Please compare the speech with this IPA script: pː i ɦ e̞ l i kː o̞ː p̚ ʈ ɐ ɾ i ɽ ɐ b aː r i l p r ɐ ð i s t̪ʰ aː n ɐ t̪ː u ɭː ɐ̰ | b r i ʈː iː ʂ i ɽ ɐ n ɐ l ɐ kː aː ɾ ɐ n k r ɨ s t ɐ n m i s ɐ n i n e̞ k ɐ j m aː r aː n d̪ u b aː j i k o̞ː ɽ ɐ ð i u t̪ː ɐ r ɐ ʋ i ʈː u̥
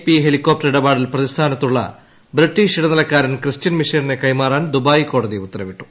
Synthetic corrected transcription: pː i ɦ e̞ l i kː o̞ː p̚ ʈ ɐ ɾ i ɽ ɐ b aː ɽ i l p r ɐ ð i s t̪ʰ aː n ɐ t̪ː u ɭː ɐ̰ | b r i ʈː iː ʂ i ɽ ɐ n ɐ l ɐ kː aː ɾ ɐ n k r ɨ s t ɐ n m i ʂ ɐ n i n e̞ k ɐ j m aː r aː n d̪ u b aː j i k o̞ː ɽ ɐ ð i u t̪ː ɐ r ɐ ʋ i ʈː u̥

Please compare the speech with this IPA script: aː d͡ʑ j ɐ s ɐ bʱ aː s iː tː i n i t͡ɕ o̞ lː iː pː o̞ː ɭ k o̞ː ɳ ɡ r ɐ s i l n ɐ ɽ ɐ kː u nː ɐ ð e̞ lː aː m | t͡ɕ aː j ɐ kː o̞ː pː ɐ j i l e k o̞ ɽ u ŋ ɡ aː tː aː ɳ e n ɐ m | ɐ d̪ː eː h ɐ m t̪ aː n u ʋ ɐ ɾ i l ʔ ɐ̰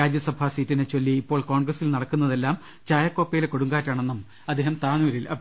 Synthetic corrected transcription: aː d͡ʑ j ɐ s ɐ bʱ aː s iː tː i n e t͡ɕ o̞ lː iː pː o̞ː ɭ k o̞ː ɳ ɡ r ɐ s i l n ɐ ɽ ɐ kː u nː ɐ ð e̞ lː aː m | t͡ɕ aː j ɐ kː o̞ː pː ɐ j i l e k o̞ ɽ u ŋ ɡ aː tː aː ɳ e nː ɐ m | ɐ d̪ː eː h ɐ m t̪ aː n u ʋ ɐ ɾ i l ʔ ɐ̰

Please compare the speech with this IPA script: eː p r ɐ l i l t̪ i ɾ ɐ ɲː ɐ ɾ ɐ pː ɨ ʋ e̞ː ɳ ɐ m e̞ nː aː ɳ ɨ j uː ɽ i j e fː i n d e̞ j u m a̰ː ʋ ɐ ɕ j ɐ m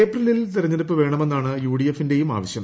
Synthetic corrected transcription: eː p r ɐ l i l t̪ i ɾ ɐ ɲː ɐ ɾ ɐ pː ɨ ʋ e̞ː ɳ ɐ m e̞ nː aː ɳ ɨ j uː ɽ i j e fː i n d e̞ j u m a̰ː ʋ ɐ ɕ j ɐ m

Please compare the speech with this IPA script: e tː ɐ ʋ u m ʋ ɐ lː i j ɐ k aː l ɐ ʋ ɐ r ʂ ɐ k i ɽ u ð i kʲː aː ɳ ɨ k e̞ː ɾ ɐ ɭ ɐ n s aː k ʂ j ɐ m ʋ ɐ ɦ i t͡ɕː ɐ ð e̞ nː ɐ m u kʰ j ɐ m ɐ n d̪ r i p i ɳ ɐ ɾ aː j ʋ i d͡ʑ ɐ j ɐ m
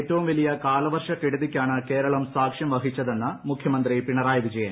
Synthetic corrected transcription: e tː ɐ ʋ u m ʋ ɐ l i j ɐ k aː l ɐ ʋ ɐ r ʂ ɐ k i ɽ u ð i kʲː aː ɳ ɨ k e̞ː ɾ ɐ ɭ ɐ m s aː k ʂ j ɐ m ʋ ɐ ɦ i t͡ɕː ɐ ð e̞ nː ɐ m u kʰ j ɐ m ɐ n d̪ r i p i ɳ ɐ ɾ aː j ʋ i d͡ʑ ɐ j ɐ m

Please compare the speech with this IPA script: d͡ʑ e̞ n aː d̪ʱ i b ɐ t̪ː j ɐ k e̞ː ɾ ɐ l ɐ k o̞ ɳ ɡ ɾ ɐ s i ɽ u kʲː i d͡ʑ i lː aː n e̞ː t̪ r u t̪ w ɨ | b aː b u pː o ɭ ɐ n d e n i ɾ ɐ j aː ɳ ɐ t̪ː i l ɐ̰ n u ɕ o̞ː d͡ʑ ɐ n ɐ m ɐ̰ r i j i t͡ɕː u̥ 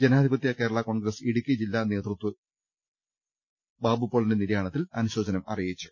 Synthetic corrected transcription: d͡ʑ e̞ n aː d̪ʱ i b ɐ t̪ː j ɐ k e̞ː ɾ ɐ ɭ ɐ k o̞ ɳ ɡ ɾ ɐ s i ɽ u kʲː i d͡ʑ i lː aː n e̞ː t̪ r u t̪ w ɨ | b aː b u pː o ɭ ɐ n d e n i ɾ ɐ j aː ɳ ɐ t̪ː i l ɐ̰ n u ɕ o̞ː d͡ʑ ɐ n ɐ m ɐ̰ r i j i t͡ɕː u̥

